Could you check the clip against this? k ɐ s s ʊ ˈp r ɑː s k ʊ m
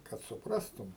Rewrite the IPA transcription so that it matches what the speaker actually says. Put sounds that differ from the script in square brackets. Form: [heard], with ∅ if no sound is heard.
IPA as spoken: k ɐ [t] s ʊ ˈp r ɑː s [t] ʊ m